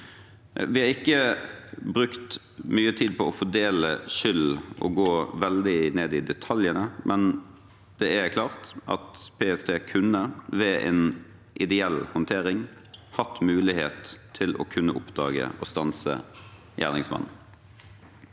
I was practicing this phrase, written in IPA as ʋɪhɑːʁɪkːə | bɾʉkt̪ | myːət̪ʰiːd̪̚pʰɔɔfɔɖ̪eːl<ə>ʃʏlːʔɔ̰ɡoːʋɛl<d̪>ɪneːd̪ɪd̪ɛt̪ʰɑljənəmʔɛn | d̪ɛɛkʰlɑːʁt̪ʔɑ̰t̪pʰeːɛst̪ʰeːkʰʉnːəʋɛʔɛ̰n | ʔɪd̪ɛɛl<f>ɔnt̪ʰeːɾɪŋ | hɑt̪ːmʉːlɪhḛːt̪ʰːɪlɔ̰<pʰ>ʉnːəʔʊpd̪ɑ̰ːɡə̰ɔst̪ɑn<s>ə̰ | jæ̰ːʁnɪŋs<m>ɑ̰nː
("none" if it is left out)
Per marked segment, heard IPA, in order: ə, d̪, h, kʰ, s, m

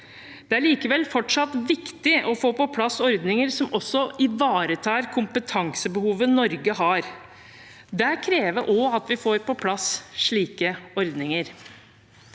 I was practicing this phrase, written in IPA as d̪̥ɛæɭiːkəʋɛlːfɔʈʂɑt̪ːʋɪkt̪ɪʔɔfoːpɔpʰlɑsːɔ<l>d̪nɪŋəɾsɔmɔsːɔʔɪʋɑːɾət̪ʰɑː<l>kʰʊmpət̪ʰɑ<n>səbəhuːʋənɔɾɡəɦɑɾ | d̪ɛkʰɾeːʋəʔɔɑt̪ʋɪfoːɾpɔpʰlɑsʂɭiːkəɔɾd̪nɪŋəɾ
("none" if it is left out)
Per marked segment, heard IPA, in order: ɾ, ɾ, ŋ

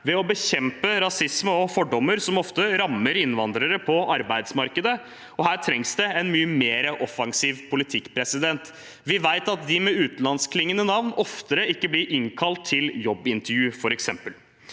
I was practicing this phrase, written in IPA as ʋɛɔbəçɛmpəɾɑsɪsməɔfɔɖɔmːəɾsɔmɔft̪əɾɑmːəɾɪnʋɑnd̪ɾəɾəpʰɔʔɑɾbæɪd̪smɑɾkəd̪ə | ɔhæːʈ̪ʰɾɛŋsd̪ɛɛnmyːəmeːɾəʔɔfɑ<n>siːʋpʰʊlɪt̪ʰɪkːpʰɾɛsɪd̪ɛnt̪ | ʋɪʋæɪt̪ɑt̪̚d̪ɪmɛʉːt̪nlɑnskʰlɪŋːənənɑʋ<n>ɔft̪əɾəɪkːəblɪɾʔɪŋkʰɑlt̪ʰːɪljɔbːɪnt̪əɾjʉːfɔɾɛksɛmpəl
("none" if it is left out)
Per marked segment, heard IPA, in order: ŋ, n

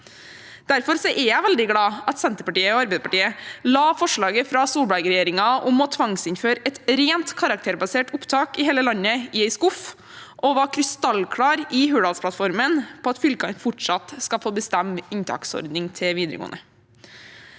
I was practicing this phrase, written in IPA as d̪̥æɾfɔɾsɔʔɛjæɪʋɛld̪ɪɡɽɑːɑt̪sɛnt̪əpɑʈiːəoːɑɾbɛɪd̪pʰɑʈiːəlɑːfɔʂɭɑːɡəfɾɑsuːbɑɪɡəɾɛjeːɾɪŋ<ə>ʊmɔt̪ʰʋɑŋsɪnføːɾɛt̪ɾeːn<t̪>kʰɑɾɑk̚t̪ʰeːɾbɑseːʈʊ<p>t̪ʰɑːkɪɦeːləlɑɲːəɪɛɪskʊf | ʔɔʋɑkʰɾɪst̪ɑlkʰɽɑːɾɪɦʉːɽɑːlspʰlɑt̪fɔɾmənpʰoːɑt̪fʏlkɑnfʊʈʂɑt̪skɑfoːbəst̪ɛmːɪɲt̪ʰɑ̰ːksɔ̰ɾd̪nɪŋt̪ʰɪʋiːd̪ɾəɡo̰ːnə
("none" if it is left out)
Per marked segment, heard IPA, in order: ɑ, t̪, p

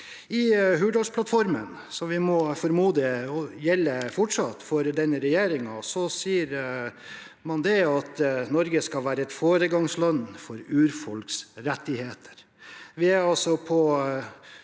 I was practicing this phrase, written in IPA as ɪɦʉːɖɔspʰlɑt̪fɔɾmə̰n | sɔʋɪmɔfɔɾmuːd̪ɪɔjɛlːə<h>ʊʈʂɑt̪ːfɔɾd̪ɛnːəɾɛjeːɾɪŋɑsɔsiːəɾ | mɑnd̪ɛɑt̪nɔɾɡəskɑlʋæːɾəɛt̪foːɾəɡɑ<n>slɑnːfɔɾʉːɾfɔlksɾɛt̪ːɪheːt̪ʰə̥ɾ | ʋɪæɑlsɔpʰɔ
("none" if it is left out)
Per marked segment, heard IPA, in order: f, ŋ

